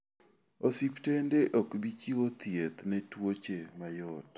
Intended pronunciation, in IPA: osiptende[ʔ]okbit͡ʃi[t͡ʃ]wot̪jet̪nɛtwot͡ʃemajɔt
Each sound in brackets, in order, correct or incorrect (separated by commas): correct, incorrect